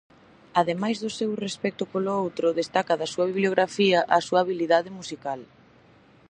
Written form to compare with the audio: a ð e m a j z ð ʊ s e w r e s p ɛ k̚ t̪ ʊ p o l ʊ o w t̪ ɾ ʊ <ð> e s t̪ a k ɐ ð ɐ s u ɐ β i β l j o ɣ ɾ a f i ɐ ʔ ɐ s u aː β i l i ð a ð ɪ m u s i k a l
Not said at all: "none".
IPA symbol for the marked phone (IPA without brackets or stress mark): ð